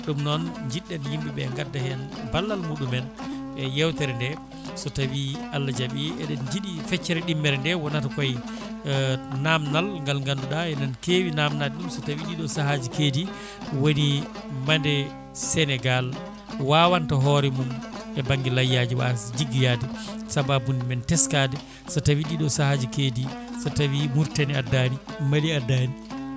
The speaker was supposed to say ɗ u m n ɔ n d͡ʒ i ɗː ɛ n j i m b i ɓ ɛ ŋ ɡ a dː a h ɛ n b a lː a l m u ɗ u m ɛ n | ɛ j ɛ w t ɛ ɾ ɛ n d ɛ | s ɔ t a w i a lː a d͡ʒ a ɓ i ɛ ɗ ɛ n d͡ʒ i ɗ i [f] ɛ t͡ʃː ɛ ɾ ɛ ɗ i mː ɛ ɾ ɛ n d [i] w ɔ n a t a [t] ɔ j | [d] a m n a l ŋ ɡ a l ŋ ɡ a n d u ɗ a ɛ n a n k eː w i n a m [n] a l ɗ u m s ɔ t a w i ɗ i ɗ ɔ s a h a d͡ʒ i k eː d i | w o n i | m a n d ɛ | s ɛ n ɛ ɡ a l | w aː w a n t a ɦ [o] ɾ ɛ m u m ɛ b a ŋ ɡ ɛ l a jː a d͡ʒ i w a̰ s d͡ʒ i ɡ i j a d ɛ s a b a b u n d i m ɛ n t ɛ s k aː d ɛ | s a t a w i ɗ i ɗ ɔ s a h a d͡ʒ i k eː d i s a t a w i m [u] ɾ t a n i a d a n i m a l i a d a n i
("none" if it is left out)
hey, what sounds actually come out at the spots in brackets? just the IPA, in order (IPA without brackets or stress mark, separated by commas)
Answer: f, ɛ, k, n, n, ɔ, u